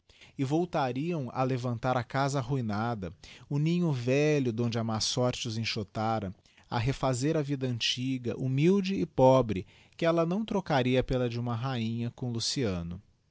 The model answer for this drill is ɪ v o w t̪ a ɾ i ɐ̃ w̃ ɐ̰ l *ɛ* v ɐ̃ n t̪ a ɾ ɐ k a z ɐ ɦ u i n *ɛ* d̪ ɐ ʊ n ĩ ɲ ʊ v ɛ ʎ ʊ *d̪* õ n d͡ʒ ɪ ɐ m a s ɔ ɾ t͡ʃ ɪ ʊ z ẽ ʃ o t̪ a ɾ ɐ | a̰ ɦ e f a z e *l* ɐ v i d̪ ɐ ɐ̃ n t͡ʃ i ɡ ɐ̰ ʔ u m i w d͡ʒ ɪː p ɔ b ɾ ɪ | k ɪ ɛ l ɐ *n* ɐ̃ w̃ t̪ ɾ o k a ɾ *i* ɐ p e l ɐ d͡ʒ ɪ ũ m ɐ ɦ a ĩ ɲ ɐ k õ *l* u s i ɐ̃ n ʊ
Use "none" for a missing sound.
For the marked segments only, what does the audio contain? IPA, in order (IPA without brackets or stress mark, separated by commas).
e, a, d̪, ɾ, n, i, l